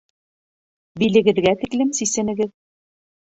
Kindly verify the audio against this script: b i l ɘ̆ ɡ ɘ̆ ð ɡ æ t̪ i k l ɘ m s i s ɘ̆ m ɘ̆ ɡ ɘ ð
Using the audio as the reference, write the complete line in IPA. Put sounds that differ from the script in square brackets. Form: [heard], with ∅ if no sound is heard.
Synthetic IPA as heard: b i l ɘ̆ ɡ ɘ̆ ð ɡ æ t̪ i k l ɘ m s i s ɘ̆ [n] ɘ̆ ɡ ɘ ð